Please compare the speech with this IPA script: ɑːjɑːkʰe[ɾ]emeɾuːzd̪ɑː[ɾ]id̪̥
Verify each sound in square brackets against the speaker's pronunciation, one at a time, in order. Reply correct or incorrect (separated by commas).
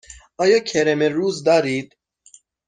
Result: correct, correct